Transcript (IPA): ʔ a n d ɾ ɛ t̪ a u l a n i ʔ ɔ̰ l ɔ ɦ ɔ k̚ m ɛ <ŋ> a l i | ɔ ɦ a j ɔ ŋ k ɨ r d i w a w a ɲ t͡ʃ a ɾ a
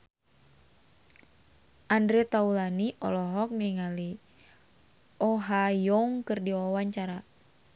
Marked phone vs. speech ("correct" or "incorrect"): correct